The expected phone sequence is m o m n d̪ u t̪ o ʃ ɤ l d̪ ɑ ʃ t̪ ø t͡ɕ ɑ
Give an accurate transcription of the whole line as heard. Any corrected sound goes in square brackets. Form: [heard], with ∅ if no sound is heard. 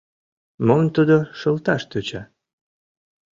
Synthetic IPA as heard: m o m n [t̪] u [d̪] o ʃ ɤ l [t̪] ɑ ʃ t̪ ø t͡ɕ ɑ